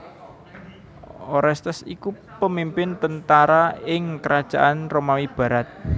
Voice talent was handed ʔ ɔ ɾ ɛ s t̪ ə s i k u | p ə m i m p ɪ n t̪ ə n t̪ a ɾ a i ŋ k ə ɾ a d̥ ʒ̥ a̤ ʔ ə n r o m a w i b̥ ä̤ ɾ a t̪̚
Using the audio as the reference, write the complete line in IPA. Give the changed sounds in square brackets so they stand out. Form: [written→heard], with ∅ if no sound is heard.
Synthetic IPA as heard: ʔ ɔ ɾ ɛ s t̪ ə s i k u | p ə m i m p ɪ n t̪ ə n t̪ a ɾ a [i→ɪ] ŋ k ə ɾ a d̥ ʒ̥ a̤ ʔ [ə→a] n r o m a w i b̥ ä̤ ɾ a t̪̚